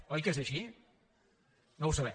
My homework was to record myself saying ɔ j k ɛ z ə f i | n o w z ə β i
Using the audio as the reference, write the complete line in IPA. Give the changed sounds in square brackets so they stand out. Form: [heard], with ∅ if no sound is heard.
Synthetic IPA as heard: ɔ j k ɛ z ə [ʃ] i | n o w [s] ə β [ɛ]